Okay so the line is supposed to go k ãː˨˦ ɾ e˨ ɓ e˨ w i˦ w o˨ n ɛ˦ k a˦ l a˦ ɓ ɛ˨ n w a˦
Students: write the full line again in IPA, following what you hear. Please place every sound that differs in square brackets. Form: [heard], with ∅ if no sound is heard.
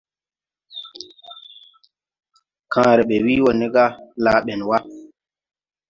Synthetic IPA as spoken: k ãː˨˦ ɾ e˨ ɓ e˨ w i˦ w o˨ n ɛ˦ [ɡ] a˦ l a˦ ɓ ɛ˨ n w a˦